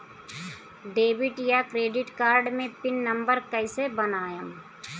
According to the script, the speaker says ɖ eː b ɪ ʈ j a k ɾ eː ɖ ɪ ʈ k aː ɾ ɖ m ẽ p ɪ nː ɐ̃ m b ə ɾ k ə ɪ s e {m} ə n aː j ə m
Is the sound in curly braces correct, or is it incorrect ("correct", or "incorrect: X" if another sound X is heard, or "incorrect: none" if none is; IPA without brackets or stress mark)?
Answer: incorrect: b